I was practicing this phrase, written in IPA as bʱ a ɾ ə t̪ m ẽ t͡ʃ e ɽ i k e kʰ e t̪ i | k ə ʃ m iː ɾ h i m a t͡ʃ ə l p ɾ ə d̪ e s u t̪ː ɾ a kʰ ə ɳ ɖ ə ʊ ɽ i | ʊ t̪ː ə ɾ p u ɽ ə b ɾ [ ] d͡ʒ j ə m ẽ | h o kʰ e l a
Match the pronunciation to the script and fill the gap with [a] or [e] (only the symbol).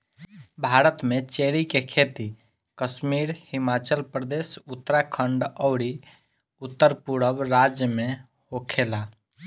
a